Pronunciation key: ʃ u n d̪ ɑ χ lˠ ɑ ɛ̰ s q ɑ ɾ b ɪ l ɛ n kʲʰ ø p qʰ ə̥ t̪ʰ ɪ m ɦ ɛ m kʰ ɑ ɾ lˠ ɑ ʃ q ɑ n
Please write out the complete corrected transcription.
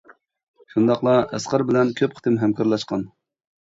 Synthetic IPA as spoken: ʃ u n d̪ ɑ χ lˠ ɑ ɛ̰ s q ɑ ɾ b ɪ l ɛ n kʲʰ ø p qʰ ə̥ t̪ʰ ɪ m ɦ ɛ m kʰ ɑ ɾ lˠ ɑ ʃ q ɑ n